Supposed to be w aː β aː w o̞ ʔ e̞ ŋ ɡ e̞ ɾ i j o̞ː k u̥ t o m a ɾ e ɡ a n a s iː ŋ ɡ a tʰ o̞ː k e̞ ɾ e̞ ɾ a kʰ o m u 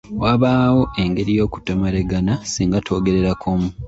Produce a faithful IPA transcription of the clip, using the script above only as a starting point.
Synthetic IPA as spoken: w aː β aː w o̞ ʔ e̞ ŋ ɡ e̞ ɾ i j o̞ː k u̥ t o m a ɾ e ɡ a n a s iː ŋ ɡ a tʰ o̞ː ɡ e̞ ɾ e̞ ɾ a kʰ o m u

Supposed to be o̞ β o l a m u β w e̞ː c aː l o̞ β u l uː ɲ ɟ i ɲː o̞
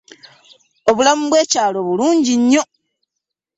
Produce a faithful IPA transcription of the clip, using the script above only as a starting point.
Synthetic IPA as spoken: o̞ β u l a m u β w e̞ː c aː l o̞ β u l uː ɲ ɟ i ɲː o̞

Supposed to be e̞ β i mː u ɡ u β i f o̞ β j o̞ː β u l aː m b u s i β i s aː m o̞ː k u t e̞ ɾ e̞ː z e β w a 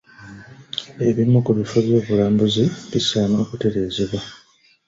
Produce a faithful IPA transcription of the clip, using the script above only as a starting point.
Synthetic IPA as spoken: e̞ β i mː u k u β i f o̞ β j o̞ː β u l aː m b u z i β i s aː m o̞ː k u t e̞ ɾ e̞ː z e β w a

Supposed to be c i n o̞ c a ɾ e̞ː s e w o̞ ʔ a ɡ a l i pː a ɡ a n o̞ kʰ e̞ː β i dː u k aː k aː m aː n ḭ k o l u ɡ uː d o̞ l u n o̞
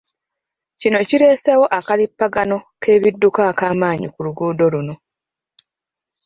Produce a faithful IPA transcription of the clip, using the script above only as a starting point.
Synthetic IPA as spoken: c i n o̞ c i ɾ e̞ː s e w o̞ ʔ a k a l i pː a ɡ a n o̞ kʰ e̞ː β i dː u k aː k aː m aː ɲ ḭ k u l u ɡ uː d o̞ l u n o̞

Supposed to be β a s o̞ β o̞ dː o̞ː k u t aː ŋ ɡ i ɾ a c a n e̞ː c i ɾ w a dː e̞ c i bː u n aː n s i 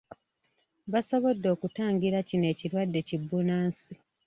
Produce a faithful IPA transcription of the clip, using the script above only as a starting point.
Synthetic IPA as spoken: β a s o̞ β o̞ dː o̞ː k u t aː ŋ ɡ i ɾ a c i n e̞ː c i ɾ w a dː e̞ c i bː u n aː n s i

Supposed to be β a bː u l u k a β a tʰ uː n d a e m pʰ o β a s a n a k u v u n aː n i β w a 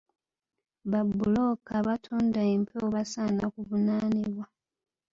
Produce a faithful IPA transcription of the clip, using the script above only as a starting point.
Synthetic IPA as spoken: β a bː u l o k a β a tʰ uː n d a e m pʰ o β a s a n a k u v u n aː n i β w a

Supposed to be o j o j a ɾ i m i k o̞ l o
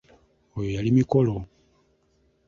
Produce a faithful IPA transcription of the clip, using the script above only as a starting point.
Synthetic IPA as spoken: o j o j a l i m i k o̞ l o

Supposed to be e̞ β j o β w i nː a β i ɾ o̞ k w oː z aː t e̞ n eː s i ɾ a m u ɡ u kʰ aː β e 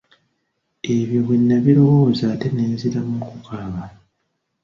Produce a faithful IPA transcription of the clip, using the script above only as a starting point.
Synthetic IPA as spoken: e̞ β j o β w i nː a β i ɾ o̞ w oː z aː t e̞ n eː z i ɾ a m u k u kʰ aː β a

